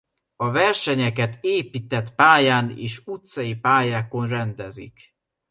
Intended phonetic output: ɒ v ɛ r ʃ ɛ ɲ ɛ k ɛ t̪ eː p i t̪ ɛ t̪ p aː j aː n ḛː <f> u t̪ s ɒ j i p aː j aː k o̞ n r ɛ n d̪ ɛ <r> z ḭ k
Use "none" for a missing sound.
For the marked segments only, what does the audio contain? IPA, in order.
ʃ, none

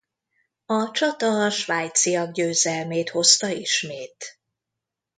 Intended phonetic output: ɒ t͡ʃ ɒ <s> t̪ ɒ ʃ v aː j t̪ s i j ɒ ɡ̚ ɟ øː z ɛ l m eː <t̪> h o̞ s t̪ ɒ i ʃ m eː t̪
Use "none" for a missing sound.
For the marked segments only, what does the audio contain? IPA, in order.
none, t̪

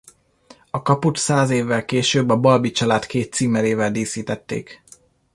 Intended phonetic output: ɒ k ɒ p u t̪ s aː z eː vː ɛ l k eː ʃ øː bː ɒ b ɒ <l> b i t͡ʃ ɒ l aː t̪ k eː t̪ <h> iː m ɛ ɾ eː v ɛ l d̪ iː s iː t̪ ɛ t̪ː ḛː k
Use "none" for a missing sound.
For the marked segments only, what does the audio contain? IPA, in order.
l, s

